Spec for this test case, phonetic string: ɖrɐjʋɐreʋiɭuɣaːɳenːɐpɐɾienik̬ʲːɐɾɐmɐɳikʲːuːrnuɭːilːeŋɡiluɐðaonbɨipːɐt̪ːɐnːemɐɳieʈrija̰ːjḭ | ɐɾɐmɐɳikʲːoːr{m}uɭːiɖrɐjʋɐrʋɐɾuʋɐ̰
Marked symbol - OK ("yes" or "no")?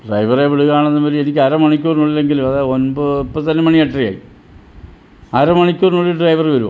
no